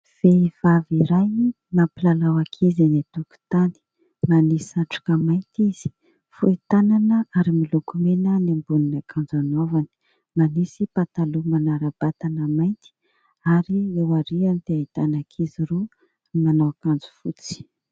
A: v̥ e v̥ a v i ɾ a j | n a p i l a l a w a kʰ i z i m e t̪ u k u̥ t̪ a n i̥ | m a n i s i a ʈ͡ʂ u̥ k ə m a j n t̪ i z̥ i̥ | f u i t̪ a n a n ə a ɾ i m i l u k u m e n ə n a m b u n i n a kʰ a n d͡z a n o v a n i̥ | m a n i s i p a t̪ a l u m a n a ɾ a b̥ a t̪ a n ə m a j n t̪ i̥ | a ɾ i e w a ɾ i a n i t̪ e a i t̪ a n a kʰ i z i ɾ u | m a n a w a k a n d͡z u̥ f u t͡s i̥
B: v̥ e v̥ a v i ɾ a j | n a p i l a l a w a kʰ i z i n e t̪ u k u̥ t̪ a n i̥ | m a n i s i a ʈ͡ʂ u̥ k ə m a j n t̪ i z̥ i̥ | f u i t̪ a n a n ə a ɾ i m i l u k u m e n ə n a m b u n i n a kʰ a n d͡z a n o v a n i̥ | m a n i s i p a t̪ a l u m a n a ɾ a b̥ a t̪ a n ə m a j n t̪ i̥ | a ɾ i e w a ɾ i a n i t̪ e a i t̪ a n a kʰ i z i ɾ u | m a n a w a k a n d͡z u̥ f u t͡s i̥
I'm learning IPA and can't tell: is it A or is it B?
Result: B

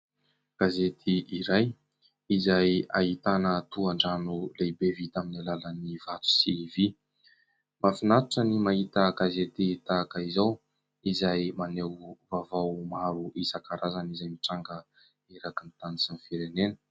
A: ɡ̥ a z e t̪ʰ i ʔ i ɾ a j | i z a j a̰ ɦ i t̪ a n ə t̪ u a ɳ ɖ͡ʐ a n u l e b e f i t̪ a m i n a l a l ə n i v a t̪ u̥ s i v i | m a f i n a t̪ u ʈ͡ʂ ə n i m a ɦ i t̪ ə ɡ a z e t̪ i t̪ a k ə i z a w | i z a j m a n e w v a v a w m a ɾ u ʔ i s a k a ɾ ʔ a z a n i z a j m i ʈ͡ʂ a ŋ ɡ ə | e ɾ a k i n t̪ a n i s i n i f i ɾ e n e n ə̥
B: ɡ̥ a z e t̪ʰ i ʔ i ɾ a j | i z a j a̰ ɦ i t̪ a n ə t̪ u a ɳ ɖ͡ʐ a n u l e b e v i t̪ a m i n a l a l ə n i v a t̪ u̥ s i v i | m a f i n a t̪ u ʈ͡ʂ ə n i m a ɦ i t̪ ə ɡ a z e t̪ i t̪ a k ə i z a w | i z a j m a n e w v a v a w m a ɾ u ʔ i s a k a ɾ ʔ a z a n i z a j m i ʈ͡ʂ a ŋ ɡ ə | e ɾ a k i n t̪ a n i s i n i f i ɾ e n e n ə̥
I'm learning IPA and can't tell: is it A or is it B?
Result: B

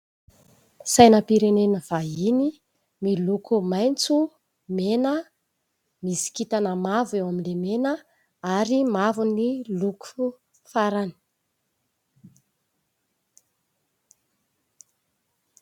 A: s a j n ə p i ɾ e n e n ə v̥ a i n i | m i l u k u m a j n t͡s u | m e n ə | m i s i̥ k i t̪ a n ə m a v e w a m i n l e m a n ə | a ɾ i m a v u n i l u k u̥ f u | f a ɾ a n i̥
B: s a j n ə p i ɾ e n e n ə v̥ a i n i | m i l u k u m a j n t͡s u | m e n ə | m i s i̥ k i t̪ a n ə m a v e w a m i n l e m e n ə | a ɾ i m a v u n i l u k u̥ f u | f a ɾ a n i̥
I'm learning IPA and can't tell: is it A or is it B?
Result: B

